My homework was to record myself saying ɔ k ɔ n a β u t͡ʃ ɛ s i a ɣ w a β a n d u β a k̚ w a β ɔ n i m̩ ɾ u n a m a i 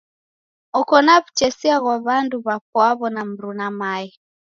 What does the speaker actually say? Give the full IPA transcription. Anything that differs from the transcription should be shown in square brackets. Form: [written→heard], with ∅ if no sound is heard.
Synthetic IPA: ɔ k ɔ n a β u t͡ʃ ɛ s i a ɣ w a β a n d u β a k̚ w a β ɔ n [i→a] m̩ ɾ u n a m a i